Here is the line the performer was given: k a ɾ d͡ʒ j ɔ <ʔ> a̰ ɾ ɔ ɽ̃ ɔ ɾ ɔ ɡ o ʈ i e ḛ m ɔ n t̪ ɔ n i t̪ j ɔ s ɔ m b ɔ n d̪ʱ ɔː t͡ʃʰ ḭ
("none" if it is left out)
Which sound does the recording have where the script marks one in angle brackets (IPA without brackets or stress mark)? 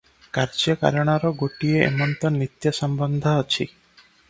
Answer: k